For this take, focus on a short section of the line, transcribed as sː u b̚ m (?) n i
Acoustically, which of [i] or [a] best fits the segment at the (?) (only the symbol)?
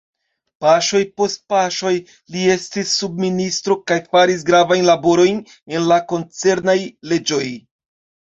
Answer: i